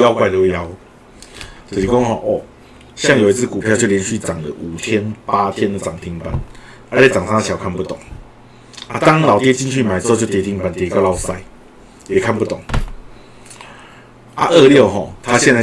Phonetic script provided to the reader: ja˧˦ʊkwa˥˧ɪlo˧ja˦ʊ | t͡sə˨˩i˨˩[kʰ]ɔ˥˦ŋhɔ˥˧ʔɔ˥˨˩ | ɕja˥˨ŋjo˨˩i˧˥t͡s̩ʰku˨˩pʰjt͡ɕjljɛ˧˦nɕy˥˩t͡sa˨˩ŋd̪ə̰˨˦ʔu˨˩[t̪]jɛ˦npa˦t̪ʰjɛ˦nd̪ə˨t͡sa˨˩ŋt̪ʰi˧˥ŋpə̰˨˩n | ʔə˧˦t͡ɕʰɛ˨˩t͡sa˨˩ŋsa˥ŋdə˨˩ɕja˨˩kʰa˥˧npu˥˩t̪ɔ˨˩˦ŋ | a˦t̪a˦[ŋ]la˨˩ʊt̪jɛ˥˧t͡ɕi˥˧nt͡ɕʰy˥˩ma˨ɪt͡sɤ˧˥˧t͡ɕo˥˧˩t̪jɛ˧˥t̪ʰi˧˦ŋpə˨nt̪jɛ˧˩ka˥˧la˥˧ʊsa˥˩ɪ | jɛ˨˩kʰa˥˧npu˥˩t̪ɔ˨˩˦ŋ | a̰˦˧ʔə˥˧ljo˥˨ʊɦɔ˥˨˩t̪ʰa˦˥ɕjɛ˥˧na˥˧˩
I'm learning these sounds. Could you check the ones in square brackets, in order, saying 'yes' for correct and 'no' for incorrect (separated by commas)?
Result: no, no, yes